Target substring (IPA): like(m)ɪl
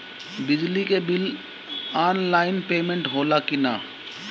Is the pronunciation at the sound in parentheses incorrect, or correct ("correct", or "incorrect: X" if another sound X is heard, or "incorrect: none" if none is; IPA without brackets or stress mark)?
incorrect: b